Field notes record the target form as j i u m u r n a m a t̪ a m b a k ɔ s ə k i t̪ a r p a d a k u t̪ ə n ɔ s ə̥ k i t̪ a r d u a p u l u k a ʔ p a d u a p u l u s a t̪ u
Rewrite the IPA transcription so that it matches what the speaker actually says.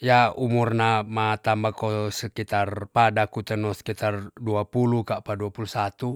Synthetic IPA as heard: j a u m u r n a m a t̪ a m b a k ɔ s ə k i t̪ a r p a d a k u t̪ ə n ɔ s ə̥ k i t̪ a r d u a p u l u k a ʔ p a d u a p u l u s a t̪ u